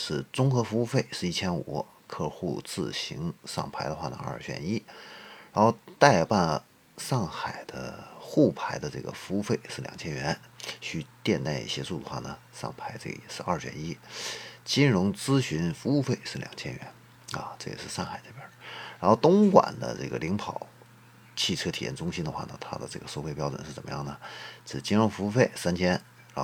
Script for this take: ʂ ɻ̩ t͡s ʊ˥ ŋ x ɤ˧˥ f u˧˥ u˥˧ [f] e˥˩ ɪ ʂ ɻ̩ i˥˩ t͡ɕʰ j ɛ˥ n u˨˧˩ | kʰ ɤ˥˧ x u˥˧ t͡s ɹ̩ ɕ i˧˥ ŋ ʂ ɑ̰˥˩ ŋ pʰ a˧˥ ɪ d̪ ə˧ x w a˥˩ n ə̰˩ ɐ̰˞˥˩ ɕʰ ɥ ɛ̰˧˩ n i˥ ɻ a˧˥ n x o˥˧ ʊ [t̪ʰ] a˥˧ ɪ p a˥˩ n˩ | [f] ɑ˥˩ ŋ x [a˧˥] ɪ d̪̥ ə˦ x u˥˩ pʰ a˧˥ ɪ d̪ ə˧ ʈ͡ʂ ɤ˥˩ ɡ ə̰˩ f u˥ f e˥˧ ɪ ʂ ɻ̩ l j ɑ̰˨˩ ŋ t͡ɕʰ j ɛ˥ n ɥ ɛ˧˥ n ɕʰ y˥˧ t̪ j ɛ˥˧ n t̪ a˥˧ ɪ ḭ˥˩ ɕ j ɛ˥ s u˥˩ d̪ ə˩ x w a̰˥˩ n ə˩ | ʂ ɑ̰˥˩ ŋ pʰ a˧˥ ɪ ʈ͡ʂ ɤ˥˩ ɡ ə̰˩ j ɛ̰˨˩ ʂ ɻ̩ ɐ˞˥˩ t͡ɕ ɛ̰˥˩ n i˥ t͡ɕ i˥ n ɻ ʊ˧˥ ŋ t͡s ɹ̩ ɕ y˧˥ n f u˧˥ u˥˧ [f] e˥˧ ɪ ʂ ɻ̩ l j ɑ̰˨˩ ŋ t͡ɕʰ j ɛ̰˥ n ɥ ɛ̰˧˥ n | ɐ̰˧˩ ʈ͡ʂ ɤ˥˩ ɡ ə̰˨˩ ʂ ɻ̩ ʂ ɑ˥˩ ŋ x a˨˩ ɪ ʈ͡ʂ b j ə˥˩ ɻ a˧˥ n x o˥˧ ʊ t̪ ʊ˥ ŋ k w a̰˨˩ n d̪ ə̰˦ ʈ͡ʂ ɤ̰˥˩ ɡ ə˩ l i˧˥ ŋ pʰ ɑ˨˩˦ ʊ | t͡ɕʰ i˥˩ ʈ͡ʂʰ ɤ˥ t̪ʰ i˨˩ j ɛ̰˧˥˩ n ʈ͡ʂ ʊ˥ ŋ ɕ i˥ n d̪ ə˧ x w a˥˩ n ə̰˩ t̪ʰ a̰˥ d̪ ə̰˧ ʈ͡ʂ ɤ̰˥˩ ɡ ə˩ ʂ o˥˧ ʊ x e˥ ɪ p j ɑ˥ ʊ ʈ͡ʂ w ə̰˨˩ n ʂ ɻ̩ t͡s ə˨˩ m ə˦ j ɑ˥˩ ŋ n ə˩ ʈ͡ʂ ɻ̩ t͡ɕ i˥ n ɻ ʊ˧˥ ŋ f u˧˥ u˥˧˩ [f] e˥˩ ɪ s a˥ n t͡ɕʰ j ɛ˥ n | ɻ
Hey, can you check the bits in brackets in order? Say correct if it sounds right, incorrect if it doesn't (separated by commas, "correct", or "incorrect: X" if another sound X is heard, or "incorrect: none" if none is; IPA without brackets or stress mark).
correct, incorrect: t̪, incorrect: ʂ, incorrect: a˨˩, correct, correct